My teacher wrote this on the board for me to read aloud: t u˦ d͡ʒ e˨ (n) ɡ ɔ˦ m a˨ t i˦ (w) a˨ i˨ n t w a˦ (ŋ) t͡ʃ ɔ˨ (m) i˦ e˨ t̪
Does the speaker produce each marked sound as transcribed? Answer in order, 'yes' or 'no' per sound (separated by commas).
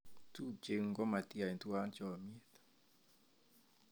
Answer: no, no, no, yes